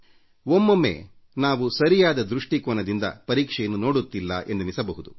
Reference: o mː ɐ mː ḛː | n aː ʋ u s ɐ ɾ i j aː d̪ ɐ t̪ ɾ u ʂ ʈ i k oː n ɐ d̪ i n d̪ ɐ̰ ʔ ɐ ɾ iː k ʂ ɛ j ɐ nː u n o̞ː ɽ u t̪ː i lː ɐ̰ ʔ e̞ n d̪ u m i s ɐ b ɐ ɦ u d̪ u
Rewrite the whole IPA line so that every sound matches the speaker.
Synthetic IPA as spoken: o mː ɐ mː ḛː | n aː ʋ u s ɐ ɾ i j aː d̪ ɐ d̪ ɾ u ʂ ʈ i k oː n ɐ d̪ i n d̪ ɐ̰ p ɐ ɾ iː k ʂ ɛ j ɐ nː u n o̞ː ɽ u t̪ː i lː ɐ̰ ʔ e̞ n d̪ u m i s ɐ b ɐ ɦ u d̪ u